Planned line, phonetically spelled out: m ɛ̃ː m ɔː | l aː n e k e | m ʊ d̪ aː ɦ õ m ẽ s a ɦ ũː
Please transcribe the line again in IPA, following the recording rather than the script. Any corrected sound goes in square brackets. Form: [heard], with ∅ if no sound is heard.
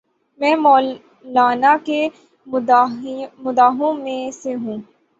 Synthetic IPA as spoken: m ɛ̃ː m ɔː | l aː n [a] k e | m ʊ d̪ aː ɦ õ m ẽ s [e] ɦ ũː